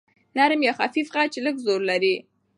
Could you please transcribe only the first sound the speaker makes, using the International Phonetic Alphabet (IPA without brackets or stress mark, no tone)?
n